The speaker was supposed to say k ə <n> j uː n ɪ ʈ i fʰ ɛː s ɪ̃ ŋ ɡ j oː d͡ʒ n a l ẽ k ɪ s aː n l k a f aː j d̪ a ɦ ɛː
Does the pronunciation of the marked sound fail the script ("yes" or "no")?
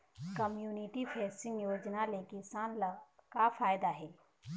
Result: yes